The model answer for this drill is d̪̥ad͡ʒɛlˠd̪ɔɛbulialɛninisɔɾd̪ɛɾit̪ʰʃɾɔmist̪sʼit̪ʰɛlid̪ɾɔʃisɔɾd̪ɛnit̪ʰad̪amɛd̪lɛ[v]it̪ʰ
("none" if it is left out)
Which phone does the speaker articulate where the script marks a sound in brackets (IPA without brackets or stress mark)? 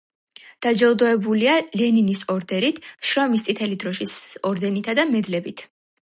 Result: b